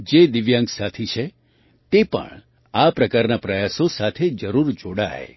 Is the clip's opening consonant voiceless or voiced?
voiced